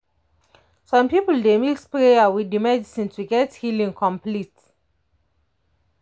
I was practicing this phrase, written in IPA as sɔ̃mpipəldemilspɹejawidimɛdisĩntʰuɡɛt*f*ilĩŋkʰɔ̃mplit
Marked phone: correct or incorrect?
incorrect